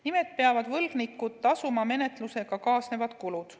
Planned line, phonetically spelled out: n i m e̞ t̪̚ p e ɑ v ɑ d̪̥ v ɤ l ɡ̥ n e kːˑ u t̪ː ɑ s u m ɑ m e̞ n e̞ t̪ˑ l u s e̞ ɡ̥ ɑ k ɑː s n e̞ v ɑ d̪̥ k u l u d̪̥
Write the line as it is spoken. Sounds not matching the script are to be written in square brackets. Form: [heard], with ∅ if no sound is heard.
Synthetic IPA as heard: n i m e̞ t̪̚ p e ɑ v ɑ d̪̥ v ɤ l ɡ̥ n [i] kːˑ u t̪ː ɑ s u m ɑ m e̞ n e̞ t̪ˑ l u s e̞ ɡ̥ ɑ k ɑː s n e̞ v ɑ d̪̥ k u l u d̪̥